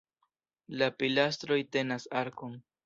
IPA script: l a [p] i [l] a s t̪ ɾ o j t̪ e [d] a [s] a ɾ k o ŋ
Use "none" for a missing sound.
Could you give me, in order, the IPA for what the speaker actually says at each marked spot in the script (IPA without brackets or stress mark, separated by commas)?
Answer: p, l, n, s